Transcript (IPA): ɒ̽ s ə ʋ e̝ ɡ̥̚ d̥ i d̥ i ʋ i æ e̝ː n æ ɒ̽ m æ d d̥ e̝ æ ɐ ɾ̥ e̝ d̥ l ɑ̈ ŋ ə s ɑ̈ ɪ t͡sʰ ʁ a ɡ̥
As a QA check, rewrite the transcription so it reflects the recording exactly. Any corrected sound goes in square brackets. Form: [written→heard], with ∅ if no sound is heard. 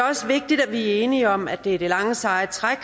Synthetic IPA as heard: ɒ̽ s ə ʋ e̝ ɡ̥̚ d̥ i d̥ [i→æ] ʋ i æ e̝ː n [æ→i] ɒ̽ m æ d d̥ e̝ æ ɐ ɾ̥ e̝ [d̥→∅] l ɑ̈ ŋ ə s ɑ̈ ɪ t͡sʰ ʁ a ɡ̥

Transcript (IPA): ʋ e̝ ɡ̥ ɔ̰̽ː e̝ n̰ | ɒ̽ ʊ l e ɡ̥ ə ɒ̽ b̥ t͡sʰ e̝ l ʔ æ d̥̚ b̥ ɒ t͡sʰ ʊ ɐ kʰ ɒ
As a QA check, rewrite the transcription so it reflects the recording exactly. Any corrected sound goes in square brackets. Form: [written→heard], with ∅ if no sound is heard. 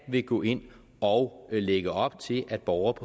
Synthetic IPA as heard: ʋ e̝ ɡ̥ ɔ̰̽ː e̝ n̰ | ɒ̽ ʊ l e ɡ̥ ə ɒ̽ b̥ t͡sʰ e̝ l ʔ æ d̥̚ b̥ ɒ [t͡sʰ→∅] ʊ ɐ [kʰ→pʰ] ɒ

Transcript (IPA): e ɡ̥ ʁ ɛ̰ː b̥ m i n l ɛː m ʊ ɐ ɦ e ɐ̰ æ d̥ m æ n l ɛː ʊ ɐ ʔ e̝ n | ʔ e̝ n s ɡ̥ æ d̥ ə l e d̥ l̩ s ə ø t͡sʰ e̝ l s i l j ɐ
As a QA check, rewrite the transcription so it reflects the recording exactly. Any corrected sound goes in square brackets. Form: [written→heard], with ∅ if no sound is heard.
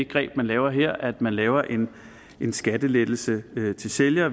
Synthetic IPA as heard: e ɡ̥ ʁ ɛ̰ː b̥ m [i→æ] n l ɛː [m→∅] ʊ ɐ ɦ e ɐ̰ æ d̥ m æ n l ɛː ʊ ɐ ʔ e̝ n | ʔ e̝ n s ɡ̥ æ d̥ ə l e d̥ l̩ s ə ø t͡sʰ e̝ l s [i→e] l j ɐ

